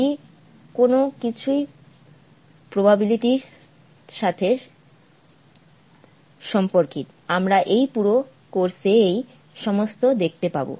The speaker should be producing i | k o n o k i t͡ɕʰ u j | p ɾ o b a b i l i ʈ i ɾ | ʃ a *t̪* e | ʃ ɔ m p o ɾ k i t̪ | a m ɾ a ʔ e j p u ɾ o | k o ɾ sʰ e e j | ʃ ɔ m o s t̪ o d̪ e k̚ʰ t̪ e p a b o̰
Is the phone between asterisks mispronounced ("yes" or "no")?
yes